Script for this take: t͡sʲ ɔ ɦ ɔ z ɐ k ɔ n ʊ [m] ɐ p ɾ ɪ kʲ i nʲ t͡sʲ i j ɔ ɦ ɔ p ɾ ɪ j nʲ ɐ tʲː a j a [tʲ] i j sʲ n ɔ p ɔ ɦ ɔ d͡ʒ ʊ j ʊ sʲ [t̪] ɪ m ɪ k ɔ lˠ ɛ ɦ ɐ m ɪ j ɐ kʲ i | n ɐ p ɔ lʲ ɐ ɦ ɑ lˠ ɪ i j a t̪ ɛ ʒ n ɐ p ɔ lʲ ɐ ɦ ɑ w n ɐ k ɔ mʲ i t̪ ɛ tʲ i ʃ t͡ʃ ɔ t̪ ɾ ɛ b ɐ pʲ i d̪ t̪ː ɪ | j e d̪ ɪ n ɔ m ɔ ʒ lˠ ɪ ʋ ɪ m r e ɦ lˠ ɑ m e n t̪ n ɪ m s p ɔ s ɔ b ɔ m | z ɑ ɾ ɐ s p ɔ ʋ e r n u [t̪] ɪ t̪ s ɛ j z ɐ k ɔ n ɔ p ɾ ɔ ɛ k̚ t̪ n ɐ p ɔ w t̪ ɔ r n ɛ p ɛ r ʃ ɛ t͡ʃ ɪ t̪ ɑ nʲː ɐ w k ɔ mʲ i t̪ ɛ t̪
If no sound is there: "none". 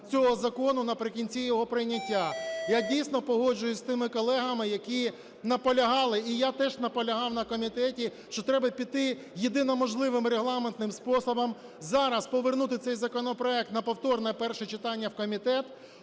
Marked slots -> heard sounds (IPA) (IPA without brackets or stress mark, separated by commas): n, dʲ, t̪, t̪